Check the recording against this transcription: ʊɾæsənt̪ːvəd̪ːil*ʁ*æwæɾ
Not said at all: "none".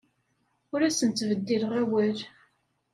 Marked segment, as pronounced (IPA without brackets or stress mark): ʁ